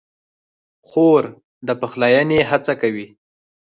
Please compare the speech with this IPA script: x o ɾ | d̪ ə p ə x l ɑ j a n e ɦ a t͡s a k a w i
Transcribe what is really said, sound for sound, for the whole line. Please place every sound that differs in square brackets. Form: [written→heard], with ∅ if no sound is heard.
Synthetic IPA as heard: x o ɾ | d̪ ə p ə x l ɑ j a n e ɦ a t͡s a k a w i